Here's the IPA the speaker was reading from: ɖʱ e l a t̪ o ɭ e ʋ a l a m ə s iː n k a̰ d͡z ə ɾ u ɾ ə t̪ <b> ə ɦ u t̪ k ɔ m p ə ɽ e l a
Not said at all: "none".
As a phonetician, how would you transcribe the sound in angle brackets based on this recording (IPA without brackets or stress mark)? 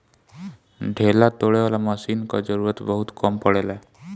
b